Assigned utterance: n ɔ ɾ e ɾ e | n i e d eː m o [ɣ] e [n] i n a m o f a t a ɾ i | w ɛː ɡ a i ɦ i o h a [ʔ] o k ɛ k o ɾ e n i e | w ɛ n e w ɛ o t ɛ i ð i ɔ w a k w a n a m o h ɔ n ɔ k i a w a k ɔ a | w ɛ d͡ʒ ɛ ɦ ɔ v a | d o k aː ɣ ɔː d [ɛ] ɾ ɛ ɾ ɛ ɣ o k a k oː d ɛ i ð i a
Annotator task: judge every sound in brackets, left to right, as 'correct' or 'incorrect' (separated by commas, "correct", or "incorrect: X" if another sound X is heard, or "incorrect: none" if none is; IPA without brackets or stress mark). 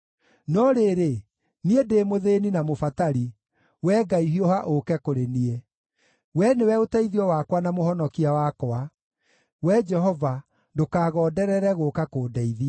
incorrect: ð, correct, correct, correct